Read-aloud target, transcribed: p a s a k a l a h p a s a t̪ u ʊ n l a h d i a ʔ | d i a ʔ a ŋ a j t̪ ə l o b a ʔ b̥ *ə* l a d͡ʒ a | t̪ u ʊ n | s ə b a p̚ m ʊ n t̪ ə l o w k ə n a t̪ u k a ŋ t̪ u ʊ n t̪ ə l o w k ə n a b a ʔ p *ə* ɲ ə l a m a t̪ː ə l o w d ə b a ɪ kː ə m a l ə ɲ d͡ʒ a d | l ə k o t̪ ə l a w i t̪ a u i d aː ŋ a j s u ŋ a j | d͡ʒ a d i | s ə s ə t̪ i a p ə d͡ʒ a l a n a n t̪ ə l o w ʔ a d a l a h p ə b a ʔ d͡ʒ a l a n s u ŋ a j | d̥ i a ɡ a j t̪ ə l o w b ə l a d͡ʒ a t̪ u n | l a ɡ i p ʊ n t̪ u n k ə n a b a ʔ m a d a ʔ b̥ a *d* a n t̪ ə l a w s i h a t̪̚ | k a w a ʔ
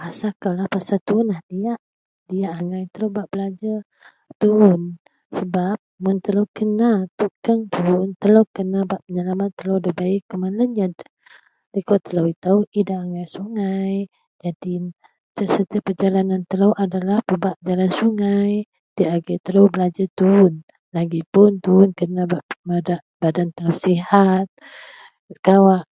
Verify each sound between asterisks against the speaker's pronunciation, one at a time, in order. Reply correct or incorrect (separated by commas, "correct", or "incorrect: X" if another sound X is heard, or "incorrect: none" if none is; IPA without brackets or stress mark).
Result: correct, correct, correct